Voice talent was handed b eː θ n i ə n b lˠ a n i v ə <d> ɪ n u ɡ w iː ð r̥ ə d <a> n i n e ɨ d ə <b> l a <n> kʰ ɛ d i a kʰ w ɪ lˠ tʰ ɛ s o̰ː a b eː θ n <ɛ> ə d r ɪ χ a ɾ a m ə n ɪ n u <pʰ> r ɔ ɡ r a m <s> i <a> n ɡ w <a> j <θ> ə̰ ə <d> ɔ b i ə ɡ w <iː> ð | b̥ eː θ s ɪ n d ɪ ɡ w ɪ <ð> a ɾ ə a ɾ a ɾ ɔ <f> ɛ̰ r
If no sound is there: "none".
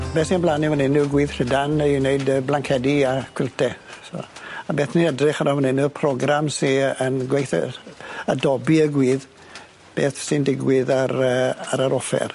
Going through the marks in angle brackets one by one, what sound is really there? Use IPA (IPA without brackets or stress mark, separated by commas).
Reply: n, a, b, ŋ, i, pʰ, s, ə, e, θ, d, iː, ð, f